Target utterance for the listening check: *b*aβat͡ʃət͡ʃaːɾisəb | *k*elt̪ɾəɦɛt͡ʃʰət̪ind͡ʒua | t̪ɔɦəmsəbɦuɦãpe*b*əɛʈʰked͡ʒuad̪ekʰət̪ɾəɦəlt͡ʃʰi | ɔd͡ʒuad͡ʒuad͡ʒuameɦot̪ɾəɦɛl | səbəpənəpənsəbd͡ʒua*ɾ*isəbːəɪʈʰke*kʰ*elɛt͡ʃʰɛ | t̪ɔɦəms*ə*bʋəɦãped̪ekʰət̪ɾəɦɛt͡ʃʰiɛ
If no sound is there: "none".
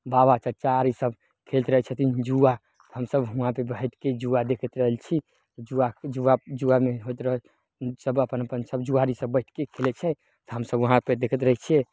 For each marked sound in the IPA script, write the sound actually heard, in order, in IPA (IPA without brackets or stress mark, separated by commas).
b, kʰ, b, ɾ, kʰ, ə